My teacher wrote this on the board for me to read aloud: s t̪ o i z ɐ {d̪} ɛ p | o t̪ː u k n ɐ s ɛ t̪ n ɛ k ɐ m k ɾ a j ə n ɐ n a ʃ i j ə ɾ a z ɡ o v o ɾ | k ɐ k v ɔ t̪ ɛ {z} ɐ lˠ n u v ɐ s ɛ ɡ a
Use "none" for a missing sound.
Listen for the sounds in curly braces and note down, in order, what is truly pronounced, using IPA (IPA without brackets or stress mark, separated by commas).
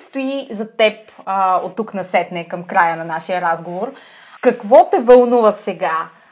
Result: t̪, v